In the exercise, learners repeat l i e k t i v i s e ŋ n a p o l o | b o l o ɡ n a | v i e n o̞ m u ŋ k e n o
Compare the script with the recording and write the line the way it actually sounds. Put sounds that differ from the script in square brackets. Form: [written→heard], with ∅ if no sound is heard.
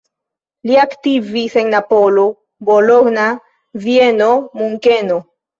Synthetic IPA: l i [e→a] k t i v i s e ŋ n a p o l o | b o l o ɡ n a | v i e n o̞ m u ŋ k e n o